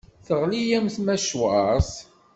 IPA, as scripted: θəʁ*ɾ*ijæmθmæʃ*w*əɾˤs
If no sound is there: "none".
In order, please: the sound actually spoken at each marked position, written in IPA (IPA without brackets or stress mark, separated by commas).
l, w